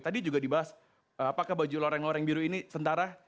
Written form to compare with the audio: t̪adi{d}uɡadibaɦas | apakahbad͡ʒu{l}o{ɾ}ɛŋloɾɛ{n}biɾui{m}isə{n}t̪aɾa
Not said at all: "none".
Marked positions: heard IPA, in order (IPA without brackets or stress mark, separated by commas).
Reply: d͡ʒ, l, ɾ, ŋ, n, n